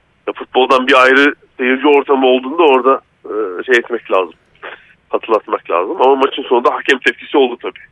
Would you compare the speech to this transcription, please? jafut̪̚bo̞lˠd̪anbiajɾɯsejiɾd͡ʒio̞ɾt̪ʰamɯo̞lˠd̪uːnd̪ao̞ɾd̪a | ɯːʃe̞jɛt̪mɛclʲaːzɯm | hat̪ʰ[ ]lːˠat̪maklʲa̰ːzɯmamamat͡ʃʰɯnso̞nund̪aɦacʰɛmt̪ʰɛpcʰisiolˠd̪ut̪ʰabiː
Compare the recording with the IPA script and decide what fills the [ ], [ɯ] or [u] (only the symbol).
ɯ